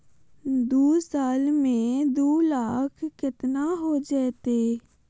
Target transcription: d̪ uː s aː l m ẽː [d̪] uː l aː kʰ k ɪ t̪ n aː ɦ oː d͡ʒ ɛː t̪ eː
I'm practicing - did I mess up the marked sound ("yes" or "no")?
no